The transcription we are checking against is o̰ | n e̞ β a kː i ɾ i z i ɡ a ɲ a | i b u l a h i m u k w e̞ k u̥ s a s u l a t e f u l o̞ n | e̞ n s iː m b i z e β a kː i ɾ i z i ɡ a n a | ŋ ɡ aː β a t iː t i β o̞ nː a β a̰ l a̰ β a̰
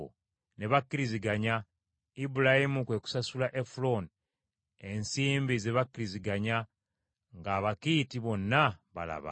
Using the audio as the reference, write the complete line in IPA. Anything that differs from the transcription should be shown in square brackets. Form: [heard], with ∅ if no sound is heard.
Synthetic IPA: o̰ | n e̞ β a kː i ɾ i z i ɡ a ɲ a | i b u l a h i m u k w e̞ k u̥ s a s u l a [ʔ] e f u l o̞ n | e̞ n s iː m b i z e β a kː i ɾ i z i ɡ a [ɲ] a | ŋ ɡ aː β a [k] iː t i β o̞ nː a β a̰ l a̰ β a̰